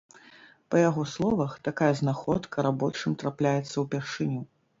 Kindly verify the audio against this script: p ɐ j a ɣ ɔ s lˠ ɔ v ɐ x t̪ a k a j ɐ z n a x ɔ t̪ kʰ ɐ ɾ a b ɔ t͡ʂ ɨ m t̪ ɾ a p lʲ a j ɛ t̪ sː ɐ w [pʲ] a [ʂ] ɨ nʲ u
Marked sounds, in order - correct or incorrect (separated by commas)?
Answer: correct, correct